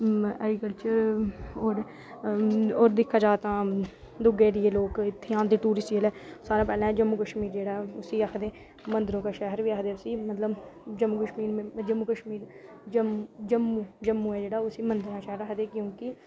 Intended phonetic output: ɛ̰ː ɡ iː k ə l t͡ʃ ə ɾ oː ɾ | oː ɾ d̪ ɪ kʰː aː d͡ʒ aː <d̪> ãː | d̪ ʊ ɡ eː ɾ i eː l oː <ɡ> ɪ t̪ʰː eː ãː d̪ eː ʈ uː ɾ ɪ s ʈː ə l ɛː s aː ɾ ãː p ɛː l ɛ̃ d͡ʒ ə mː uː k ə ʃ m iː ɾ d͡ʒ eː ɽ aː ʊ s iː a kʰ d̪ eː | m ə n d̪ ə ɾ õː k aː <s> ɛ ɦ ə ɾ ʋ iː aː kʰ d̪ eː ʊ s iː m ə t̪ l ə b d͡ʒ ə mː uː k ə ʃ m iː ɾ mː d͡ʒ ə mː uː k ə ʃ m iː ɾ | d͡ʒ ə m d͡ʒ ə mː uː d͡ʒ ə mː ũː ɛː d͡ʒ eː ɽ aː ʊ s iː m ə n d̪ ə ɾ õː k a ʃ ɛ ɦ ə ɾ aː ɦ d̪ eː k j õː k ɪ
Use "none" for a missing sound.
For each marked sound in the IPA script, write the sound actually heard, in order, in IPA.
t̪, k, ʃ

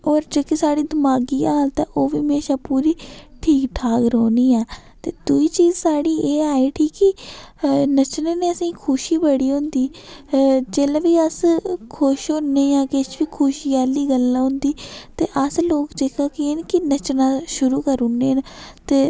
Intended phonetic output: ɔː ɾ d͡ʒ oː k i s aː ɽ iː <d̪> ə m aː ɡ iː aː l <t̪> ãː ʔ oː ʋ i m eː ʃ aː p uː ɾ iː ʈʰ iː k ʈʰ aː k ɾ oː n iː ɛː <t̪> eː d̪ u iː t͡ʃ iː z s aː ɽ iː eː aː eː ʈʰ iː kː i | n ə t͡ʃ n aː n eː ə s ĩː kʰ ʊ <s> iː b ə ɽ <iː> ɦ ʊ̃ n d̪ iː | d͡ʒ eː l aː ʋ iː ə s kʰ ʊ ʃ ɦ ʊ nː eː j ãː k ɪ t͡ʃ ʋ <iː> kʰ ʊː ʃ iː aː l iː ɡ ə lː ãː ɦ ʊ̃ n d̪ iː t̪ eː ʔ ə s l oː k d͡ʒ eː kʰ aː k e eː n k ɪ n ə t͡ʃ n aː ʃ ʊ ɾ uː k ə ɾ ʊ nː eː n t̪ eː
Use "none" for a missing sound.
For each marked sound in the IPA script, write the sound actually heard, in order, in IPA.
d̪, t̪, t̪, ʃ, iː, iː

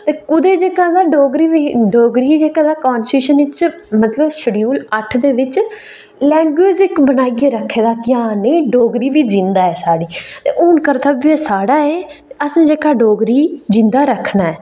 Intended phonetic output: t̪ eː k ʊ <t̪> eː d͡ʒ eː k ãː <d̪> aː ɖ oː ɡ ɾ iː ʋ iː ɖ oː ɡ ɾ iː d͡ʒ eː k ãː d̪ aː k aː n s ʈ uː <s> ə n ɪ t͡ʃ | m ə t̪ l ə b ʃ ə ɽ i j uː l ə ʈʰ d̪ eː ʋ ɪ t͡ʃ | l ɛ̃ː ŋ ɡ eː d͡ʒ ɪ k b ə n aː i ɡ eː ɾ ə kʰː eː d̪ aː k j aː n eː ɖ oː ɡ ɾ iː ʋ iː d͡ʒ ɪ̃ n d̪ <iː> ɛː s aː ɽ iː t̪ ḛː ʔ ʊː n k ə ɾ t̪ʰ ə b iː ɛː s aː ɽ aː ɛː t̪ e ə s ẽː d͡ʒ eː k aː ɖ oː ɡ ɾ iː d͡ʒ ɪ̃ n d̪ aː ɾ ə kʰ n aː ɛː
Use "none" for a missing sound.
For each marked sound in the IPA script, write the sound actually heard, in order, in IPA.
d̪, d̪, ʃ, aː

